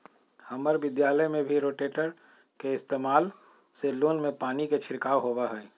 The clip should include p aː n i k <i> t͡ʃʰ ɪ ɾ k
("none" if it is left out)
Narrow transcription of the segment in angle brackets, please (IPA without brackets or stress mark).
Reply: e